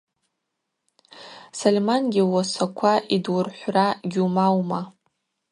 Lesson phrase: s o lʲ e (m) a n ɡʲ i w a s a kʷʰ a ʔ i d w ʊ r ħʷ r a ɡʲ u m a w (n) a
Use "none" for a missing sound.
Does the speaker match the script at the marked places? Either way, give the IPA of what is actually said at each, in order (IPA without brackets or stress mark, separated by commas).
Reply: m, m